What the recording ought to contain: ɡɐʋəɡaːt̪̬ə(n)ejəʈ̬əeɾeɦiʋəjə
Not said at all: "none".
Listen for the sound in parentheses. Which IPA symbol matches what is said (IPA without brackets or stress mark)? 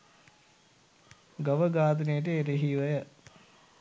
n